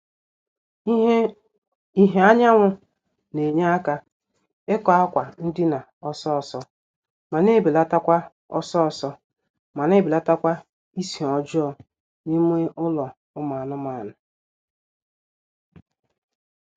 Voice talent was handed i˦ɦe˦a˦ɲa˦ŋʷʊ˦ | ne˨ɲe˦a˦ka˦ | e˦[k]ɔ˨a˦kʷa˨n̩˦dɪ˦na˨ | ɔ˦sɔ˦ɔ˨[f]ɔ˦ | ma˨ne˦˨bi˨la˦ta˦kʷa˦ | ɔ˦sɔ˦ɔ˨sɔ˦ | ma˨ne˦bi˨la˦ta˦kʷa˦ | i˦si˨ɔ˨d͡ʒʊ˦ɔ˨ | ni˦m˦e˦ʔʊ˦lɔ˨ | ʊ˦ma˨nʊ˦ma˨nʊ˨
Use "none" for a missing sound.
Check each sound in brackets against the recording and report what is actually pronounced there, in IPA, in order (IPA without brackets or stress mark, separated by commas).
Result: k, s